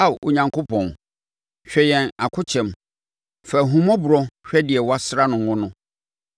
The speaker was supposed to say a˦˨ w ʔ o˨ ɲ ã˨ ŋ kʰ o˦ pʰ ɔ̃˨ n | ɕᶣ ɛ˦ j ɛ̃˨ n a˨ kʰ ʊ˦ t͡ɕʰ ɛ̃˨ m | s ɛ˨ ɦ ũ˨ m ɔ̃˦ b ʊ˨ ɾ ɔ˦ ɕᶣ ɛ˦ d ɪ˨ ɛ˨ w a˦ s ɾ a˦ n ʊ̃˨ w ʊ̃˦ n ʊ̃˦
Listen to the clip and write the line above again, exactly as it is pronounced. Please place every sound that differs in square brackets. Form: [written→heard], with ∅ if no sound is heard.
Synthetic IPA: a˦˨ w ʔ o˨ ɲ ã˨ ŋ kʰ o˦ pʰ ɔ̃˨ n | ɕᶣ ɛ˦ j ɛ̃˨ n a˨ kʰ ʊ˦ t͡ɕʰ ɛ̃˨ m | [s→f] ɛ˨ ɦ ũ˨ m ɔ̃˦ b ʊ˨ ɾ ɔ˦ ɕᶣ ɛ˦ d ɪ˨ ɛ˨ w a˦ s ɾ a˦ n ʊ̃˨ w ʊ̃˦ n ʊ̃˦